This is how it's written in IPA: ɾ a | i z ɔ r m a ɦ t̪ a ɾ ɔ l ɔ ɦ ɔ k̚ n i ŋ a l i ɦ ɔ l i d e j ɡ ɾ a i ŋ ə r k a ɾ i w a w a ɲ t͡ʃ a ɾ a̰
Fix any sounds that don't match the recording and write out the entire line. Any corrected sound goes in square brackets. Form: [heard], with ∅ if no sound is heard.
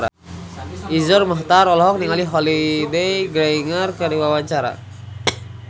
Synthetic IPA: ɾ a | i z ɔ r m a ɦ t̪ a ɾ ɔ l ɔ ɦ ɔ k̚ n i ŋ a l i ɦ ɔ l i d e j ɡ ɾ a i ŋ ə r k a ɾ i w a w a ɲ t͡ʃ a ɾ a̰